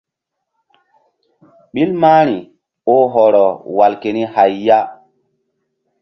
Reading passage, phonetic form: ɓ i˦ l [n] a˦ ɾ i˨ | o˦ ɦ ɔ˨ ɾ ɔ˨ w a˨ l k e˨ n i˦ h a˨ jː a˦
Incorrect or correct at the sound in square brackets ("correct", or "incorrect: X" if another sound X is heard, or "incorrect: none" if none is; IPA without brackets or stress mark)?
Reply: incorrect: m